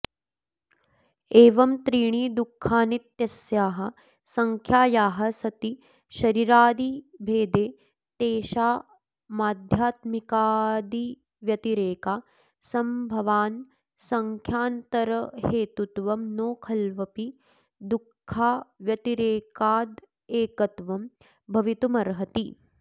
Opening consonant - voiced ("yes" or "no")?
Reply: yes